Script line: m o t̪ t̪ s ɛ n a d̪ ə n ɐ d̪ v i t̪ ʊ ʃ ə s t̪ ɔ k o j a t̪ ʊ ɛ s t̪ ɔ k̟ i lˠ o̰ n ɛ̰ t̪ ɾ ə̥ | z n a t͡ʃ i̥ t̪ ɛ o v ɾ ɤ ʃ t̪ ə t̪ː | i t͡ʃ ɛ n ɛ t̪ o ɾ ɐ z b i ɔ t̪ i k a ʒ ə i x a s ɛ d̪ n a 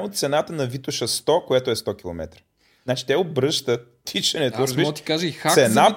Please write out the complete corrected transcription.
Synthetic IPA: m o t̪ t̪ s ɛ n a t̪ ə n ɐ v i t̪ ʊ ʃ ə s t̪ ɔ k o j a t̪ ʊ ɛ s t̪ ɔ k̟ i lˠ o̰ m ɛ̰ t̪ ɾ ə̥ | z n a t͡ʃ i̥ t̪ ɛ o b ɾ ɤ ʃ t̪ ə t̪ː | i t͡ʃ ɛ n ɛ t̪ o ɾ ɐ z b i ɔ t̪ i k a ʒ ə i x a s ɛ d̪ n a